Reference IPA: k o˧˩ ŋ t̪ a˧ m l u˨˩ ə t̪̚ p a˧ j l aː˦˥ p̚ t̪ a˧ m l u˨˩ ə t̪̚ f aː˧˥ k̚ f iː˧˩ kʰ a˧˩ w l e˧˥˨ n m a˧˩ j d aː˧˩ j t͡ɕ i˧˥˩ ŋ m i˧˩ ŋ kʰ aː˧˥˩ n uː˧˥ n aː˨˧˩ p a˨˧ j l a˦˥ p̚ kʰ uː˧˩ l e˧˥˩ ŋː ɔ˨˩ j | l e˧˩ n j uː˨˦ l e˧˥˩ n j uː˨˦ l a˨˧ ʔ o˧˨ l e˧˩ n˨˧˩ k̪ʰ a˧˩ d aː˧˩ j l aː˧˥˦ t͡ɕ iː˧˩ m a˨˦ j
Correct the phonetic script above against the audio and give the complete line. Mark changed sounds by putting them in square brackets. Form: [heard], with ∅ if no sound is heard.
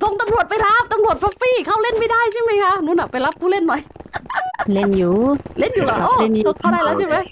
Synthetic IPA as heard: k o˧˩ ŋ t̪ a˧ m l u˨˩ ə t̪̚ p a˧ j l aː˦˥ p̚ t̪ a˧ m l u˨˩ ə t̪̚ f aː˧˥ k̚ f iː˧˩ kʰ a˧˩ w l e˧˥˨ n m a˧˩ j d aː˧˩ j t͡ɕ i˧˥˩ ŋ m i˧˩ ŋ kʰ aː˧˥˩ n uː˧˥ n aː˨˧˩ p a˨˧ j l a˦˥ p̚ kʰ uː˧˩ l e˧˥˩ [nː] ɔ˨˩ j | l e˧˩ n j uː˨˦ l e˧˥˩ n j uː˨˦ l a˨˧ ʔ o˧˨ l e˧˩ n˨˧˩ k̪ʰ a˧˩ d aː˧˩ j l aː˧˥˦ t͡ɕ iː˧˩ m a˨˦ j